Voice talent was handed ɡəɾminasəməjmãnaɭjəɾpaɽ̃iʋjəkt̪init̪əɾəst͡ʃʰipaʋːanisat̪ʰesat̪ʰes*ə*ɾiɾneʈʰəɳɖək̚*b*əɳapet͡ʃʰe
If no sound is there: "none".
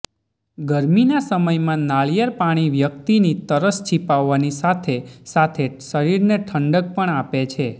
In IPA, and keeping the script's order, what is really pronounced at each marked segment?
ə, p

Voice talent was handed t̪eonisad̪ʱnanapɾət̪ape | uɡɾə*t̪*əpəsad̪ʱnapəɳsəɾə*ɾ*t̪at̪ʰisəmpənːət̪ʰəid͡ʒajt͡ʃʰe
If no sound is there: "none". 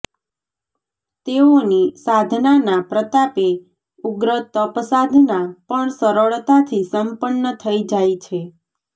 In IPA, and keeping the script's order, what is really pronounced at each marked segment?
t̪, ɭ

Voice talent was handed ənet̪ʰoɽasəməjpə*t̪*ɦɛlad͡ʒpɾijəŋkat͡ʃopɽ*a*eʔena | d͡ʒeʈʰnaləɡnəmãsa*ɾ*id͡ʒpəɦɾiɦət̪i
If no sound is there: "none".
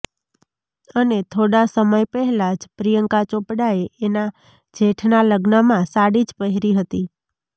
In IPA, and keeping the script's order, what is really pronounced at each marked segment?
none, a, ɽ

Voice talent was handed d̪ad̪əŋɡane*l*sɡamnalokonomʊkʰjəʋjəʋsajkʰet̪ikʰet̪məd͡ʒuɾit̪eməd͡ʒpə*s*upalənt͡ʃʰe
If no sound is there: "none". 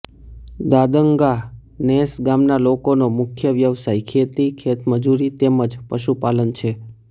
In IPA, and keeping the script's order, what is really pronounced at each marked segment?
none, ʃ

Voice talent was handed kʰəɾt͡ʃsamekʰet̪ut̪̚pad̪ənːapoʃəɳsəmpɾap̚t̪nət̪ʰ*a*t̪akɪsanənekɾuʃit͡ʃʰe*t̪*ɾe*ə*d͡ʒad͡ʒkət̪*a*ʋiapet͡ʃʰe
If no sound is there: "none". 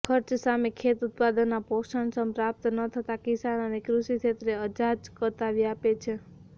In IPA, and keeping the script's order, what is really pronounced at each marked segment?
ə, t̪, ə, a

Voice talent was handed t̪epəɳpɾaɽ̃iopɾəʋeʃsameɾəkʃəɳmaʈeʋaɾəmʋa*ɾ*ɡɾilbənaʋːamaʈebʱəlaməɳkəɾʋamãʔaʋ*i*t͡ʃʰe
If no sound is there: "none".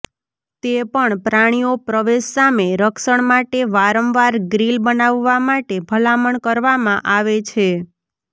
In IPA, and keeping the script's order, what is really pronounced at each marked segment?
ɾ, e

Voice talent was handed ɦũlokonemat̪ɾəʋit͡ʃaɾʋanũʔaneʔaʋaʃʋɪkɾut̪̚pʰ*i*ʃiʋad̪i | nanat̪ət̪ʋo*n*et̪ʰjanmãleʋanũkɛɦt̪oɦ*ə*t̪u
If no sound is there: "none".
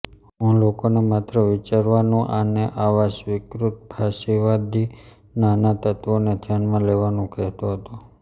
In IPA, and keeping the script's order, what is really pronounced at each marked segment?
a, n, ə

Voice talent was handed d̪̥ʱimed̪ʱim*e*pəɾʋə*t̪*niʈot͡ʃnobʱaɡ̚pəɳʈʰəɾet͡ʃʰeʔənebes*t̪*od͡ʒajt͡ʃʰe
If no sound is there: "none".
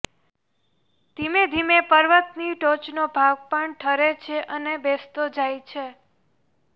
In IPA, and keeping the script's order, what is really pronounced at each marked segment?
e, t̪, t̪

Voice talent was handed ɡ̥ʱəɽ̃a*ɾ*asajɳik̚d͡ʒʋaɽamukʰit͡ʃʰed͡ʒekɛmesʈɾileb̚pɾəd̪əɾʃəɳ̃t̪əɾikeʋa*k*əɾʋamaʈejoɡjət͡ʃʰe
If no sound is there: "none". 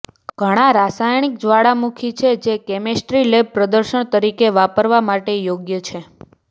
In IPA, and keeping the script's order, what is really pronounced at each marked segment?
ɾ, p

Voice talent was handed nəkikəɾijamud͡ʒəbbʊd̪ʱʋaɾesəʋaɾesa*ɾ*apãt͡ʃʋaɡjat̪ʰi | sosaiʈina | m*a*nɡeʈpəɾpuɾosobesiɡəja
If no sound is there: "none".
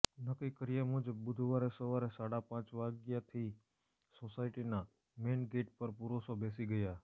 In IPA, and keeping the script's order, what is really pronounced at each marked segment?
ɽ, e

